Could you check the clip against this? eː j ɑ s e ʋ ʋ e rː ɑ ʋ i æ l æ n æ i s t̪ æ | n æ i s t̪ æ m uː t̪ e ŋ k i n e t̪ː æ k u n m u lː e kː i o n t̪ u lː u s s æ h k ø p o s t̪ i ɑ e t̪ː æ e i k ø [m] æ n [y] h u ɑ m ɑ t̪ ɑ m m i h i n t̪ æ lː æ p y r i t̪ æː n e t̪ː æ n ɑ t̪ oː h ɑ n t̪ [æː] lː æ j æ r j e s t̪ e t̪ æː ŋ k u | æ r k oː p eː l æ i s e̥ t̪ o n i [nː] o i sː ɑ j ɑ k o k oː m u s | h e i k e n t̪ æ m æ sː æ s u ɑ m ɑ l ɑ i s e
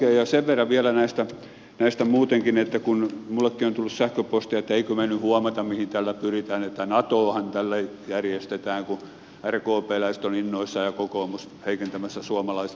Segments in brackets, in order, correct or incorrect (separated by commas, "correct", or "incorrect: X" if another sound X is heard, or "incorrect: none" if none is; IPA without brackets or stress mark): correct, correct, incorrect: æ, correct